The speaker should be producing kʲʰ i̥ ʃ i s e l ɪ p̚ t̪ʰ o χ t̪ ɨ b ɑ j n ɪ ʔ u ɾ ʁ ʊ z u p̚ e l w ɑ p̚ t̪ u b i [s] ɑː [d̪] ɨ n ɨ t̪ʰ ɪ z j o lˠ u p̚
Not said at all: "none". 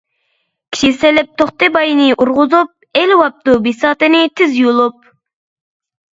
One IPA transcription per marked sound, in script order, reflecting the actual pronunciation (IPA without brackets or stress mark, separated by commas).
s, t̪